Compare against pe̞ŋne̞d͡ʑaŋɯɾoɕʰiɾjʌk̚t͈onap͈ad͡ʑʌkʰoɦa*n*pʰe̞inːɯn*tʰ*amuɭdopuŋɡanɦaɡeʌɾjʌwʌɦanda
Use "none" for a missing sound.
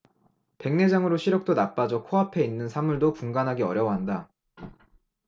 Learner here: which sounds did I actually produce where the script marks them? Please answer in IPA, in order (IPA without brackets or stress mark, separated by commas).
none, sʰ